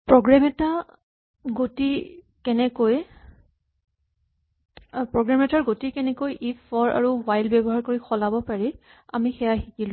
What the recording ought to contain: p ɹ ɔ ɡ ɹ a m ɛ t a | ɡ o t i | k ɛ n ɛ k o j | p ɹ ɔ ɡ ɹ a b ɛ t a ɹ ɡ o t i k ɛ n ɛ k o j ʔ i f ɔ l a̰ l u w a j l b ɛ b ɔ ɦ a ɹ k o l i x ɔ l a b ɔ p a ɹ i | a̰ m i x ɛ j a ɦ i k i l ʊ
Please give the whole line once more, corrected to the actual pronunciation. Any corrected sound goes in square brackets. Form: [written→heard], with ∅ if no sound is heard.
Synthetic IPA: p ɹ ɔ ɡ ɹ a m ɛ t a | ɡ o t i | k ɛ n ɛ k o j | p ɹ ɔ ɡ ɹ a [b→m] ɛ t a ɹ ɡ o t i k ɛ n ɛ k o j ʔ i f ɔ [l→ɹ] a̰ [l→ɹ] u w a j l b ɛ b ɔ ɦ a ɹ k o [l→ɹ] i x ɔ l a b ɔ p a ɹ i | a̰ m i x ɛ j a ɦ i k i l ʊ